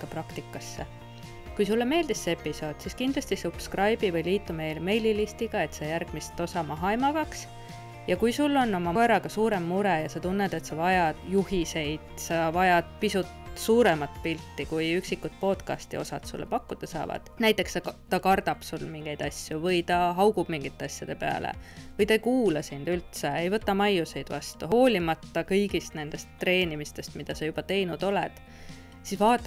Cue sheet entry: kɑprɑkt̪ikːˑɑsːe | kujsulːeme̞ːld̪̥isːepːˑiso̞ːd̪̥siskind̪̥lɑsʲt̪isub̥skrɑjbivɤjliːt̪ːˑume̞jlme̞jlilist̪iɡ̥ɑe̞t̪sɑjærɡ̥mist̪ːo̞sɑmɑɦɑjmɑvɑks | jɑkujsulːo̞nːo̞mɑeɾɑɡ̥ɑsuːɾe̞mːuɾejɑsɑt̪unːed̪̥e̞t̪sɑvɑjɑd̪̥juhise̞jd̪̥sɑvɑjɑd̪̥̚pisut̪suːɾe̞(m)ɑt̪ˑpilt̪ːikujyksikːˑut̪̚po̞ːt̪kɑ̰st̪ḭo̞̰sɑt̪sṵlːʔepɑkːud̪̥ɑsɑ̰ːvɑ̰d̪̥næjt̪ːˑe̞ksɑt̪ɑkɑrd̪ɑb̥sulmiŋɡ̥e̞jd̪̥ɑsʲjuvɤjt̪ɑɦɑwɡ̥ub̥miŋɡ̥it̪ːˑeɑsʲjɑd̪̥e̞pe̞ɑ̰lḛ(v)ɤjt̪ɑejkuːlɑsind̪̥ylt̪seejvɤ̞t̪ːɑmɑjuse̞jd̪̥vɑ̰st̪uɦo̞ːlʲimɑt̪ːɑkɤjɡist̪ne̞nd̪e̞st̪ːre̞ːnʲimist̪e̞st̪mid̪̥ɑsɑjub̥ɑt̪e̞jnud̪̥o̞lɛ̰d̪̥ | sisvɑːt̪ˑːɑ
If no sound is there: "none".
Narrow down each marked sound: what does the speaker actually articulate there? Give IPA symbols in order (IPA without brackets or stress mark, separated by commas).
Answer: m, v